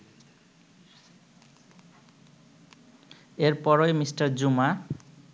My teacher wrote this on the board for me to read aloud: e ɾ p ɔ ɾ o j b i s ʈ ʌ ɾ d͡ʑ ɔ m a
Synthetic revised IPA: e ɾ p ɔ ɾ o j m i s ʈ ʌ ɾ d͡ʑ u m a